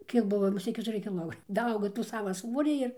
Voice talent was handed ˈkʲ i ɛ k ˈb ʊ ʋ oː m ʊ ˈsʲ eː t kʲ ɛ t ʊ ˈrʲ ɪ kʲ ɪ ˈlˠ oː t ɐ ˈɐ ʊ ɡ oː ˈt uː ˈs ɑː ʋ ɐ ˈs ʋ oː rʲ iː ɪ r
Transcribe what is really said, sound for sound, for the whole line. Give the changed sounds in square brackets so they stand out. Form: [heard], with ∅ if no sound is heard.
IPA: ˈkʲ i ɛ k ˈb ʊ ʋ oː m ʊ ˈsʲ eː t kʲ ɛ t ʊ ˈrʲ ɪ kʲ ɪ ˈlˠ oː [d] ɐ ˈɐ ʊ ɡ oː ˈt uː ˈs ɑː ʋ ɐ ˈs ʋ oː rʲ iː ɪ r